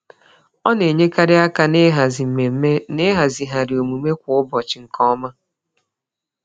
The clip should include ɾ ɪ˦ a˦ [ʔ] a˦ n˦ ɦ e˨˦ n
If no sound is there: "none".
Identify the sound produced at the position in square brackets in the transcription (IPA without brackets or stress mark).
k